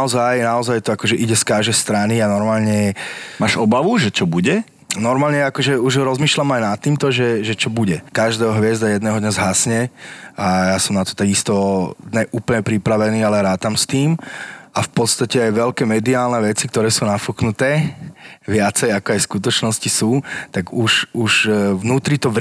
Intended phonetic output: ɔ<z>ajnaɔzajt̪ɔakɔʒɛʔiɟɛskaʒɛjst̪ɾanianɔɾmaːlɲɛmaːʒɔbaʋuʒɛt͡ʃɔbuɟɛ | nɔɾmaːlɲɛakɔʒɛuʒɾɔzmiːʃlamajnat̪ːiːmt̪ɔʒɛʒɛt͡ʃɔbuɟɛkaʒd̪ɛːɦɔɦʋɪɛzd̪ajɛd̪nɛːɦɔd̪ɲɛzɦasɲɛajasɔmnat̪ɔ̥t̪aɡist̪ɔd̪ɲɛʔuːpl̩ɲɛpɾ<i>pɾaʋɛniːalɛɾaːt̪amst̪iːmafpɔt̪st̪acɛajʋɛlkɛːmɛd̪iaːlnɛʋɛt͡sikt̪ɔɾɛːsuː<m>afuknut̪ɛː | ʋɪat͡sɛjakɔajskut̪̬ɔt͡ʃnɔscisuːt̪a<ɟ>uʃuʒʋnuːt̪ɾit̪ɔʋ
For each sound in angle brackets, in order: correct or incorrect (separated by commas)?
correct, correct, incorrect, incorrect